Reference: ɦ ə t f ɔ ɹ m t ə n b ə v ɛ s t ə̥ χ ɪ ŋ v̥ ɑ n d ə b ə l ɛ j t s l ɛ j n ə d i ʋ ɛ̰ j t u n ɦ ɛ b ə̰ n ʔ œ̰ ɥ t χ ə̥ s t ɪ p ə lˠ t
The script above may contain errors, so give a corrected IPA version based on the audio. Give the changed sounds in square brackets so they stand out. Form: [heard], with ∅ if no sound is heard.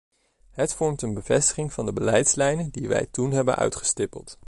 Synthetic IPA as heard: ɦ ə t f ɔ ɹ m t ə n b ə v ɛ s t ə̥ χ ɪ ŋ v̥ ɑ n d ə b ə l ɛ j t s l ɛ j n ə d i ʋ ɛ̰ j t u n ɦ ɛ b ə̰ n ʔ œ̰ ɥ t χ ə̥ s t ɪ p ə lˠ t